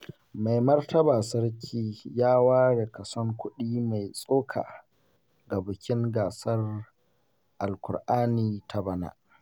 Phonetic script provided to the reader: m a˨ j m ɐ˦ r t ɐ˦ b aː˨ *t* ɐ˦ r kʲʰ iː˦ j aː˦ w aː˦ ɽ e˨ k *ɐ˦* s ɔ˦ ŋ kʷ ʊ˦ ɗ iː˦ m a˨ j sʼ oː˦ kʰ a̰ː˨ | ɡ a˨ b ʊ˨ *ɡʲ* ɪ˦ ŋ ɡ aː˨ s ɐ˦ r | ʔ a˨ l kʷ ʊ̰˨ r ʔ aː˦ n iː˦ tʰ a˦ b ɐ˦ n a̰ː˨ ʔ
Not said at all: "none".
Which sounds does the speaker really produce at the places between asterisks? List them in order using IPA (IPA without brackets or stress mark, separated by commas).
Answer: s, ɐ˨, kʲ